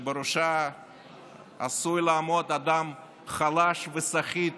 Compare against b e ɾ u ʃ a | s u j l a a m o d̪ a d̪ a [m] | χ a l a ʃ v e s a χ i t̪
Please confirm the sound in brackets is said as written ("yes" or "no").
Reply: yes